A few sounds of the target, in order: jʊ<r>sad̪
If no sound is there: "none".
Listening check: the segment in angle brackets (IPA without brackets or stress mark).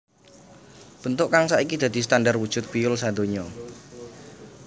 l